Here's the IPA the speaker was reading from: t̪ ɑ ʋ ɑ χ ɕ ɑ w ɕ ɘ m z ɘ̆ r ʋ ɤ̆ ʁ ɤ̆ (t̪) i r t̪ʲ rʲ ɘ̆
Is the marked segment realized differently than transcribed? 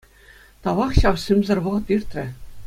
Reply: no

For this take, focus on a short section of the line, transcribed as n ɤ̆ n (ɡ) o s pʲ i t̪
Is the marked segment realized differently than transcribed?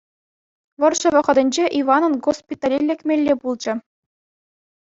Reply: no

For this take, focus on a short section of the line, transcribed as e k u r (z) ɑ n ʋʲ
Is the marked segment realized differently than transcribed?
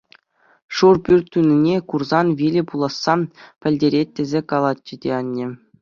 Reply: no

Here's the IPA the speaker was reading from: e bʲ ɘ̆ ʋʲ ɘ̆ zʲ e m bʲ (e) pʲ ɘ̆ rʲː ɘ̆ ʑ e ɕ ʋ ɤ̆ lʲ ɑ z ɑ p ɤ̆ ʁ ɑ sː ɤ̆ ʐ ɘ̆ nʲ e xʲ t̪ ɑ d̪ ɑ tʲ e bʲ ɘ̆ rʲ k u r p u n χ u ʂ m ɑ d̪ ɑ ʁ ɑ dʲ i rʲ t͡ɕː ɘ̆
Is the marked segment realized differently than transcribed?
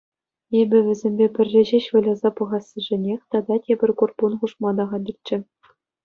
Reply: no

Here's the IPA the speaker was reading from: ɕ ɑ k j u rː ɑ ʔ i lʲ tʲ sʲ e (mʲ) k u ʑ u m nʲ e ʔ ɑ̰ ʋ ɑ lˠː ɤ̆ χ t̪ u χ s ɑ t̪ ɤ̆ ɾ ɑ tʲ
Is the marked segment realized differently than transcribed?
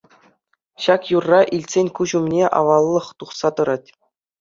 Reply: yes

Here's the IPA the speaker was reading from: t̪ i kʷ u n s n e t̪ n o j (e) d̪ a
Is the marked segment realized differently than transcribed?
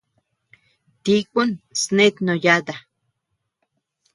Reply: yes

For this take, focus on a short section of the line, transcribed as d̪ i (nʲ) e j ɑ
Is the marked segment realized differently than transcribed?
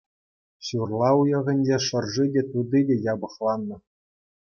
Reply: yes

